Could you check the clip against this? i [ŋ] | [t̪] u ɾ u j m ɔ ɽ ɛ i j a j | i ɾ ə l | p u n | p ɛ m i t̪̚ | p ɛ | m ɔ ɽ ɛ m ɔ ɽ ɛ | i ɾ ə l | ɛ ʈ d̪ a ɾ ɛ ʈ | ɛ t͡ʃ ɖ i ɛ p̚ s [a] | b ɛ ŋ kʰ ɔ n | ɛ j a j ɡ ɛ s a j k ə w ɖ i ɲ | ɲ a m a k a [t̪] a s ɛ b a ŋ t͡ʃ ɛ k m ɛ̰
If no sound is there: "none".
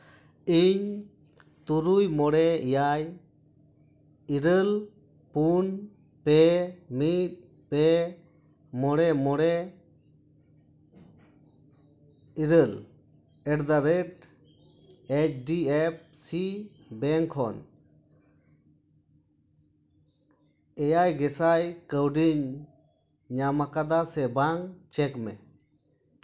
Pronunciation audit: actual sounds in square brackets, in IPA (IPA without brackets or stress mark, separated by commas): ɲ, t̪, i, d̪